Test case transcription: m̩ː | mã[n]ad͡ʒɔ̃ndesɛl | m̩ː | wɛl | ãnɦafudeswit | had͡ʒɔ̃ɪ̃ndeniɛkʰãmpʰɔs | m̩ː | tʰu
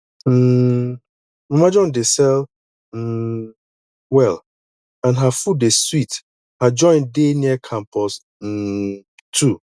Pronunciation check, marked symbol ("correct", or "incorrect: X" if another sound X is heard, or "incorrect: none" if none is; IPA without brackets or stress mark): incorrect: m